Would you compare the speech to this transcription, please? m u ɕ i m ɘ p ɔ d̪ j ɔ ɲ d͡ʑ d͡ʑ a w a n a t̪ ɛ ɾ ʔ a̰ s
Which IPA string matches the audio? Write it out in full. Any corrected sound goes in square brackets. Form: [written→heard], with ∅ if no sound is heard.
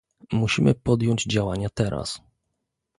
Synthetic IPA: m u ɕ i m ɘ p ɔ d̪ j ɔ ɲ d͡ʑ d͡ʑ a w a [n→ɲ] a t̪ ɛ ɾ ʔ a̰ s